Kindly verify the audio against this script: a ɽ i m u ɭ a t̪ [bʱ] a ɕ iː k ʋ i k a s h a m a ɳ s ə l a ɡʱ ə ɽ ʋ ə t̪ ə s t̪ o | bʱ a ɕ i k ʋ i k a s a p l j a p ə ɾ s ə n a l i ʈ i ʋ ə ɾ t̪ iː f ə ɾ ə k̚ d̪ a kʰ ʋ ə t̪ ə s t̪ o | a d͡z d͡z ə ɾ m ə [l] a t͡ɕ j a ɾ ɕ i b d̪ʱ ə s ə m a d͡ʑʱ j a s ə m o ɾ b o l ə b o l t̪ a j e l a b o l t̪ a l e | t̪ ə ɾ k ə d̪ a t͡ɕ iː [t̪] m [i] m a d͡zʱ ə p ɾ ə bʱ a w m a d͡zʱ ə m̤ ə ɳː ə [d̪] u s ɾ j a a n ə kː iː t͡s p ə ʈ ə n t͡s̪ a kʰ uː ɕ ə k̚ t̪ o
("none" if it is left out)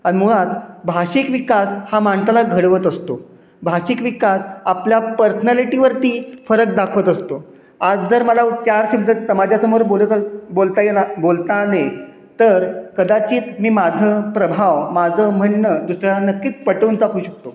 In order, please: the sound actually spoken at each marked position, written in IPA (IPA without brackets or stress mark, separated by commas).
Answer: bʱ, l, t̪, iː, d̪